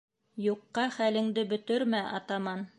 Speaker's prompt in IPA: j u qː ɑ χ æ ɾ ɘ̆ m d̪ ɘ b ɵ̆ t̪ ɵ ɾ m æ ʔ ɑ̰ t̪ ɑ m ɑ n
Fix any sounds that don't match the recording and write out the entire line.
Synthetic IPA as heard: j u qː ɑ χ æ l ɘ̆ ŋ d̪ ɘ b ɵ̆ t̪ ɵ ɾ m æ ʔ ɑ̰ t̪ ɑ m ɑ n